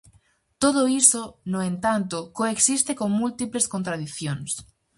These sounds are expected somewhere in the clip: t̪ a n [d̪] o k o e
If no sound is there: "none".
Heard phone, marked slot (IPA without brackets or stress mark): t̪